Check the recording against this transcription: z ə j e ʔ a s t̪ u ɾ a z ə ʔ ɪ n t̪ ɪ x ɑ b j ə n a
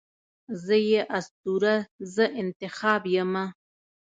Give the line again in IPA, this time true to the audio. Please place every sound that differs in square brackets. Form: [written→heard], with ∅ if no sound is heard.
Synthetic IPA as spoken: z ə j e ʔ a s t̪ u ɾ a z ə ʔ ɪ n t̪ ɪ x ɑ b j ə [n→m] a